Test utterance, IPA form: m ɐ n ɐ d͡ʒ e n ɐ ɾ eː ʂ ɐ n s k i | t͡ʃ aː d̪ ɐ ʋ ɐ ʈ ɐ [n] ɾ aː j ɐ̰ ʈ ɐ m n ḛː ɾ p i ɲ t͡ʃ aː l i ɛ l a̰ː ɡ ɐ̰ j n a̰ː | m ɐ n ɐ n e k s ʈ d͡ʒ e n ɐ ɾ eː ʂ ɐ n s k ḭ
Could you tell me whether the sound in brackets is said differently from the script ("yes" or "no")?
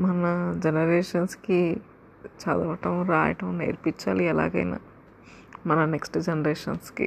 yes